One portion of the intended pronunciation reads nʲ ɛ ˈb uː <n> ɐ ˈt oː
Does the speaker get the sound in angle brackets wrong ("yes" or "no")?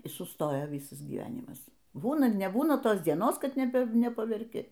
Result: no